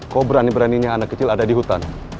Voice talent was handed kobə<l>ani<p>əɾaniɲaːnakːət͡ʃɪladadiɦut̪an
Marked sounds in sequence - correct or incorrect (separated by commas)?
incorrect, incorrect